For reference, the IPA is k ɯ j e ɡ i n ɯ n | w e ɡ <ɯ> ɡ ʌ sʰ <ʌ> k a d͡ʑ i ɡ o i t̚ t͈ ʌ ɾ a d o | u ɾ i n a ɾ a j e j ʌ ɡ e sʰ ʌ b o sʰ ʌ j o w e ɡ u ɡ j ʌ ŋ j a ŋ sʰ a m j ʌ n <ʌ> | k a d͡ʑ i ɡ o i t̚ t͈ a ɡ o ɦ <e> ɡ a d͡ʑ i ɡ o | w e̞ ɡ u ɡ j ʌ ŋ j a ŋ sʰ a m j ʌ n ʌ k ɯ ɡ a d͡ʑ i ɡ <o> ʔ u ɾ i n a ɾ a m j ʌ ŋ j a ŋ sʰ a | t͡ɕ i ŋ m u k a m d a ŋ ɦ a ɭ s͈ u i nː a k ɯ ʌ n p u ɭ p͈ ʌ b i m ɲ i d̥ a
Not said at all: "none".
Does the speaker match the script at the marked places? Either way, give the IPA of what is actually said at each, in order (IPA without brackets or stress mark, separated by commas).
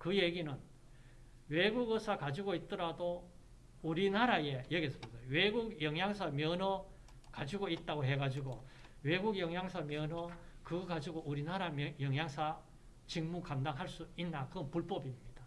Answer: u, a, ʌ, e, o